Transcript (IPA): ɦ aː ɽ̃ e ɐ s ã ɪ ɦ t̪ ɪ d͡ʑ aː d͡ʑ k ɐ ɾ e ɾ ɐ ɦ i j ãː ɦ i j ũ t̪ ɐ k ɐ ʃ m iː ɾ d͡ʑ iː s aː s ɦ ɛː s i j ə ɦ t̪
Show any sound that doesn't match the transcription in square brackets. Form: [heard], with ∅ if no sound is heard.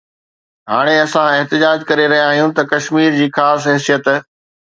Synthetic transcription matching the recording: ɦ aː ɽ̃ e ɐ s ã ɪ ɦ t̪ ɪ d͡ʑ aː d͡ʑ k ɐ ɾ e ɾ ɐ ɦ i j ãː ɦ i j ũ t̪ ɐ k ɐ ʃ m iː ɾ d͡ʑ iː [x] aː s ɦ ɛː s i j ə [∅] t̪